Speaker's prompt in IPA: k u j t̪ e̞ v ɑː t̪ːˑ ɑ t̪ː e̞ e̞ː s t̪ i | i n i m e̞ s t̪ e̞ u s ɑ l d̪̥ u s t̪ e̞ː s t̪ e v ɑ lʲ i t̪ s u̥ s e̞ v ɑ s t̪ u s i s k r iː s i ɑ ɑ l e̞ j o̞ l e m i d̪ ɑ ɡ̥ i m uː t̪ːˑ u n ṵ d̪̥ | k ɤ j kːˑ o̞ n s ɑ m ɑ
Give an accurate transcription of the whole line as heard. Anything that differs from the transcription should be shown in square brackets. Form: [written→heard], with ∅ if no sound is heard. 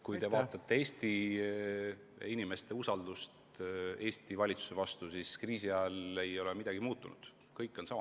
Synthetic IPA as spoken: k u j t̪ e̞ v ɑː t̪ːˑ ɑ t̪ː e̞ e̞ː s t̪ i | i n i m e̞ s t̪ e̞ u s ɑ l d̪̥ u s t̪ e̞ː s t̪ [e→i] v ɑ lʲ i t̪ s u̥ s e̞ v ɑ s t̪ u s i s k r iː s i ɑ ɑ l e̞ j o̞ l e m i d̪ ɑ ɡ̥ i m uː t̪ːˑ u n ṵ d̪̥ | k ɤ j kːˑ o̞ n s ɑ m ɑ

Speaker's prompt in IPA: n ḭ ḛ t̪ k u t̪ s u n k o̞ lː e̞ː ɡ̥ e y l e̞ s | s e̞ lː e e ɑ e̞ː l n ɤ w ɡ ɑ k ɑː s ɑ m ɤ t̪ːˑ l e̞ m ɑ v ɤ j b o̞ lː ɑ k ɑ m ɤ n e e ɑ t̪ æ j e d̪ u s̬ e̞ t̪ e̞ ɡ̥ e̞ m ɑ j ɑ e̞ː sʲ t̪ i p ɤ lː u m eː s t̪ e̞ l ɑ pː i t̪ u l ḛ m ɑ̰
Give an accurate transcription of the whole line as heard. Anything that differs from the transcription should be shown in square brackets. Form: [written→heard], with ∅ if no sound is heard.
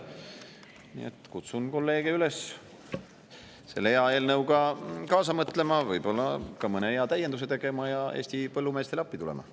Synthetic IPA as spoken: n ḭ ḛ t̪ k u t̪ s u n k o̞ lː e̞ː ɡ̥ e y l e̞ s | s e̞ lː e e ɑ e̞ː l n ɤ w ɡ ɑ k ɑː s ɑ m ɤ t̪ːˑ l e̞ m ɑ v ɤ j b o̞ lː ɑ k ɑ m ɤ n e e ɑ t̪ æ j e d̪ u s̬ e̞ t̪ e̞ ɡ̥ e̞ m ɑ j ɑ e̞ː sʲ t̪ i p ɤ lː u m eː s t̪ e̞ l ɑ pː i t̪ u l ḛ m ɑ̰

